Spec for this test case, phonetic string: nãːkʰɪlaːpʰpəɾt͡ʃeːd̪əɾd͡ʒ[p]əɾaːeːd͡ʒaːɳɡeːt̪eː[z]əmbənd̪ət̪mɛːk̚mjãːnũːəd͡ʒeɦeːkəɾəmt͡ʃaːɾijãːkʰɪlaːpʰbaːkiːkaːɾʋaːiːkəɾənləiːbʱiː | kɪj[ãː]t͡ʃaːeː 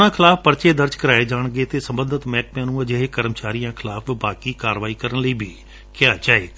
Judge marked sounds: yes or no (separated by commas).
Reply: no, no, no